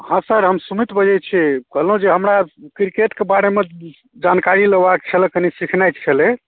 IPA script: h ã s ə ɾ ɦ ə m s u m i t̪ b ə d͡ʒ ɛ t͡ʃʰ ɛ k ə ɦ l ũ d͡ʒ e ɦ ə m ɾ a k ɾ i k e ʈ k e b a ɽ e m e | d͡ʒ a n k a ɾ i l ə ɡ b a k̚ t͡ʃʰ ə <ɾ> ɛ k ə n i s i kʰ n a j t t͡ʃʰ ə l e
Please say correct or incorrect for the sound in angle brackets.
incorrect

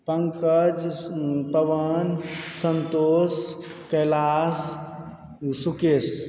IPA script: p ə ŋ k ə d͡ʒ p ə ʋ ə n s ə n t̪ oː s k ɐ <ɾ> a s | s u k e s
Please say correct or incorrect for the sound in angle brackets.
incorrect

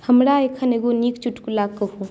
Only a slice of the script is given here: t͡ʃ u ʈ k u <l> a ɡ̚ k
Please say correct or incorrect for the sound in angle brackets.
correct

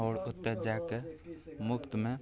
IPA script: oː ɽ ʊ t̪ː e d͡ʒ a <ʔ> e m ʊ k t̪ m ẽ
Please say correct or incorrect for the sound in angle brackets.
incorrect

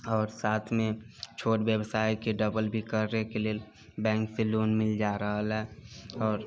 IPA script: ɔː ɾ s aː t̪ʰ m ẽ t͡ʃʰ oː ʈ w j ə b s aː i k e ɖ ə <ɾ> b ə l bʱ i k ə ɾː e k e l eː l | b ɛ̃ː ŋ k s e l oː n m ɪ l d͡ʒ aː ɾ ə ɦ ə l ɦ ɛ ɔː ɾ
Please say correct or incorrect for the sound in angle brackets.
incorrect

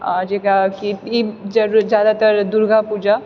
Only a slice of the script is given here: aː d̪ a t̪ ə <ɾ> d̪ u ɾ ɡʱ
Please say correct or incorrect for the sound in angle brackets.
correct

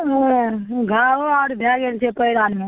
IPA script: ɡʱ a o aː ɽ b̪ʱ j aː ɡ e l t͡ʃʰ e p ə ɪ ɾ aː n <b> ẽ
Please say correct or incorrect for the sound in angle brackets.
incorrect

